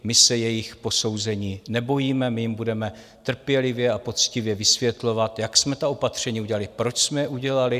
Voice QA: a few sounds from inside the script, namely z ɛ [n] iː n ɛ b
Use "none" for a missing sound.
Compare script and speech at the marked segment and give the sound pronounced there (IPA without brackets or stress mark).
ɲ